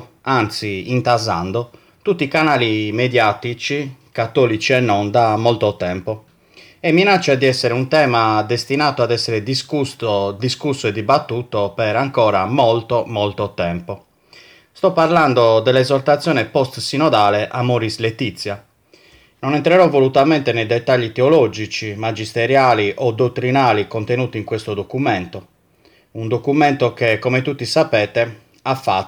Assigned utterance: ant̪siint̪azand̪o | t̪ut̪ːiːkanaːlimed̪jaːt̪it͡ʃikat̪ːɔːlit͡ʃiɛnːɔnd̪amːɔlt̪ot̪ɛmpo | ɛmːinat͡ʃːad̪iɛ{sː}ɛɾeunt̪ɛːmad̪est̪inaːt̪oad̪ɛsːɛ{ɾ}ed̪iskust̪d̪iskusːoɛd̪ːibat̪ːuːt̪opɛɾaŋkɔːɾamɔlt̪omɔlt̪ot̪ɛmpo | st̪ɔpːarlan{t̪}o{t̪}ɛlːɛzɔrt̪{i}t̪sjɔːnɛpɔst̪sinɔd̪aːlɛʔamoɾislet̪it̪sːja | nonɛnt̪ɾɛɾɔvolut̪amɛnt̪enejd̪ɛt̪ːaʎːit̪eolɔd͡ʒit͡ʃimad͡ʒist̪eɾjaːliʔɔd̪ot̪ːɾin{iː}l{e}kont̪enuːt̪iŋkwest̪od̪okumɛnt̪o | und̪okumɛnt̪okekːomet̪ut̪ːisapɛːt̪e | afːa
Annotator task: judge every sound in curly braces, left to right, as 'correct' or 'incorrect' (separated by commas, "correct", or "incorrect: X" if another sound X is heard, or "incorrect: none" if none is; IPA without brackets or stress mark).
correct, correct, incorrect: d̪, incorrect: d̪, incorrect: a, incorrect: aː, incorrect: i